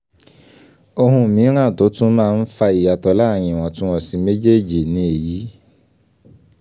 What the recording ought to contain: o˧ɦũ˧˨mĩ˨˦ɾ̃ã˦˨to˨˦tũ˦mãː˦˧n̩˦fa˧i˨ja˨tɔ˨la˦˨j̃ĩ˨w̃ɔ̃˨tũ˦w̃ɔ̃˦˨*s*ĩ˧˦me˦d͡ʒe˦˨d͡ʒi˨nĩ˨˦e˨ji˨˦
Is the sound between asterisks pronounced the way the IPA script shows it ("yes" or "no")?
yes